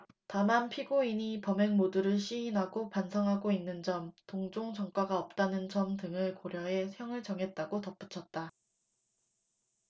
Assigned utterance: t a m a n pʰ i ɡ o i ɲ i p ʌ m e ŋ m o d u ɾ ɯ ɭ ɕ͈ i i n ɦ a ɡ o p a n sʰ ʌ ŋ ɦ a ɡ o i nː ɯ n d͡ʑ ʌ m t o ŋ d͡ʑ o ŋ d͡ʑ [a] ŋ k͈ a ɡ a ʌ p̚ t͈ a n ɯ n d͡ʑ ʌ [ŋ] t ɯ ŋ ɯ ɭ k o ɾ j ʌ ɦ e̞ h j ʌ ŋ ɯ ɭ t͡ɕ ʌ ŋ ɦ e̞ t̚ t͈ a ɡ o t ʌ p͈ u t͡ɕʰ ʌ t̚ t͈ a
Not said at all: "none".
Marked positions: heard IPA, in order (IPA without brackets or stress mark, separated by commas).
ʌ, m